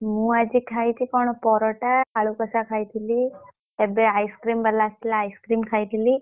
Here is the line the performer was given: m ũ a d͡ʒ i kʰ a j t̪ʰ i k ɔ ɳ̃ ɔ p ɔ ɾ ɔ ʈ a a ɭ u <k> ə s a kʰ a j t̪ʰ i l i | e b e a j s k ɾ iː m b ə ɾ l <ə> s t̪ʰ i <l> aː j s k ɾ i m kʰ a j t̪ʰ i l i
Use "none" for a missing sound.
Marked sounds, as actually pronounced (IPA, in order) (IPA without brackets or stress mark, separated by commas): k, a, l